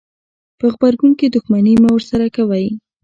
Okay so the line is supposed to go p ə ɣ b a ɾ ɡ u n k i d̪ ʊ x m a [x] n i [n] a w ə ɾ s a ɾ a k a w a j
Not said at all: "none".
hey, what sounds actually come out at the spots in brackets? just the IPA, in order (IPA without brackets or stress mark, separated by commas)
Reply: none, m